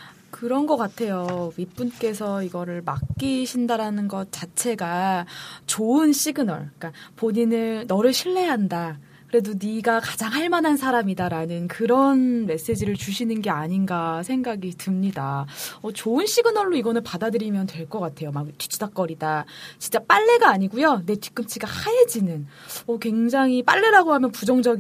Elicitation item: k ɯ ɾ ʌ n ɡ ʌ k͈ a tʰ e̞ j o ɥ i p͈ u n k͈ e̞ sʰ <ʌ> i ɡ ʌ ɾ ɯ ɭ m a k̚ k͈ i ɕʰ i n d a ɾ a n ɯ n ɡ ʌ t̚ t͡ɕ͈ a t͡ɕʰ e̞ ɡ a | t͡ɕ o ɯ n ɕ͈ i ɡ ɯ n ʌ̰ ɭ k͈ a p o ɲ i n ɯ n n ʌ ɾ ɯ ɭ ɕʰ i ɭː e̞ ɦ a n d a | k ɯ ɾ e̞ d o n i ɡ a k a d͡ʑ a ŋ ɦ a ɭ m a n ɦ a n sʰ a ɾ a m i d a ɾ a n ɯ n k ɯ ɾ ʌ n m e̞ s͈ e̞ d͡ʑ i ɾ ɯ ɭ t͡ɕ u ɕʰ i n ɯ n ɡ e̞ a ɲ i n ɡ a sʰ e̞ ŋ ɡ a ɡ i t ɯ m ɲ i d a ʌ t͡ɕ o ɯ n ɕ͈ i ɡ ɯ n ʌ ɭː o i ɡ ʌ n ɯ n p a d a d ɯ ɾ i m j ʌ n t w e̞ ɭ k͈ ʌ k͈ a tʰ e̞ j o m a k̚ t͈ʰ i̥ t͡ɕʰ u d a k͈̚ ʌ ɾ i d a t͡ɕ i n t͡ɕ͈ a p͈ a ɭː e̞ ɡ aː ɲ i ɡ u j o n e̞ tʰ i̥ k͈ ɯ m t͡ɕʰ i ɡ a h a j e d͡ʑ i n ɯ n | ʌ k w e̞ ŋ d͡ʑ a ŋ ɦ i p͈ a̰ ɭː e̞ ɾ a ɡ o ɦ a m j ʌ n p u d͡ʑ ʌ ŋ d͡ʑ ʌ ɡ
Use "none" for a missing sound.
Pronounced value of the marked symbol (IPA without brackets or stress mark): ʌ